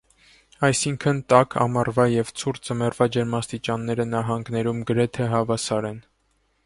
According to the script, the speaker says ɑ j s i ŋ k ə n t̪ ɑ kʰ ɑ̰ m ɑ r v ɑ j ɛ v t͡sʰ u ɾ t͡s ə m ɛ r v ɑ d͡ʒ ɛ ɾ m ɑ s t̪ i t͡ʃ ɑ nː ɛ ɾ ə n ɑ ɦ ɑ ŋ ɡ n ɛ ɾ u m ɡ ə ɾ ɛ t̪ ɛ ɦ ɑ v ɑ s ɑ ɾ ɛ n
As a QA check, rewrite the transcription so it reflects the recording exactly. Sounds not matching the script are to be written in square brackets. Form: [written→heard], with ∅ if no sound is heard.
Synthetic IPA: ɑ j s i ŋ [k→kʰ] ə n t̪ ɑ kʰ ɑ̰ m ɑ r v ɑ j ɛ v t͡sʰ u ɾ t͡s ə m ɛ r v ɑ d͡ʒ ɛ ɾ m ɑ s t̪ i t͡ʃ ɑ nː ɛ ɾ ə n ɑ ɦ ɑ ŋ ɡ n ɛ ɾ u m ɡ ə ɾ ɛ [t̪→t̪ʰ] ɛ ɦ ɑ v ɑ s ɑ ɾ ɛ n